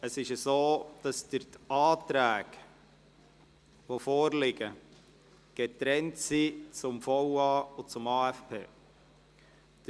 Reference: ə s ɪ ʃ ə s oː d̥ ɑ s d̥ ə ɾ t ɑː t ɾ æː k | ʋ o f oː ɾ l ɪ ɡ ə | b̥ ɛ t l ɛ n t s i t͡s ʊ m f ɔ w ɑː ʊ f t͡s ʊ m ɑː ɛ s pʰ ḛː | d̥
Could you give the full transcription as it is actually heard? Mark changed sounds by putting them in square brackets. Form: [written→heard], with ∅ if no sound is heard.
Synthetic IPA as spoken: ə s ɪ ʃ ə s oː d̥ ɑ s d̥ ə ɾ t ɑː t ɾ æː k | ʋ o f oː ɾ l ɪ ɡ ə | [b̥→ɡ̥] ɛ t [l→ɾ] ɛ n t s i t͡s ʊ m f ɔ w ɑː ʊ [f→∅] t͡s ʊ m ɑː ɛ [s→f] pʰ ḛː | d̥